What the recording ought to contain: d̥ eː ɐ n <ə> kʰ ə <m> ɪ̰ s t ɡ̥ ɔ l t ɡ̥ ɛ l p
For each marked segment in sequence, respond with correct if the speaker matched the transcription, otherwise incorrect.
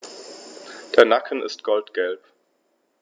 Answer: incorrect: a, incorrect: n

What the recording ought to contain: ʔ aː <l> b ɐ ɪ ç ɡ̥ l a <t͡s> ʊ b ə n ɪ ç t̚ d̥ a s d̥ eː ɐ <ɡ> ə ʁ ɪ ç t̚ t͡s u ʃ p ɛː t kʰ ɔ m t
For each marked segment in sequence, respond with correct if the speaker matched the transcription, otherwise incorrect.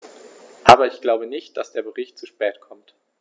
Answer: incorrect: none, incorrect: none, incorrect: b

